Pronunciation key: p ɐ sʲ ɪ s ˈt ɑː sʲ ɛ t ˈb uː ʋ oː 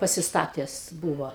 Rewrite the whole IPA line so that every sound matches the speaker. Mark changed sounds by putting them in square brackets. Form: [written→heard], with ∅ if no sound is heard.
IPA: p ɐ sʲ ɪ s ˈt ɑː [sʲ→tʲ] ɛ [t→s] ˈb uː ʋ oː